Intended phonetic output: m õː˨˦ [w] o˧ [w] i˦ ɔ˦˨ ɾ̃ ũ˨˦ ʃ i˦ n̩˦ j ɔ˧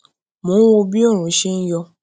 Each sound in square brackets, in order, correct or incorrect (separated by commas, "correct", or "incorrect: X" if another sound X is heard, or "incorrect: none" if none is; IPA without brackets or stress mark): correct, incorrect: b